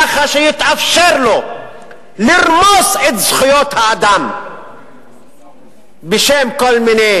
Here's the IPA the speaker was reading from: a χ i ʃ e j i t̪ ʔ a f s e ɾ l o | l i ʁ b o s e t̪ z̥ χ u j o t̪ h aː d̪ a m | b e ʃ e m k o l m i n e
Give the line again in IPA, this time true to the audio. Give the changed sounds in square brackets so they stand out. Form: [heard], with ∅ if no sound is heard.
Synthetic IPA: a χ [a] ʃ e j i t̪ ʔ a f [ʃ] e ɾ l o | l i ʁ [m] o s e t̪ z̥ χ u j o t̪ h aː d̪ a m | b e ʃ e m k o l m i n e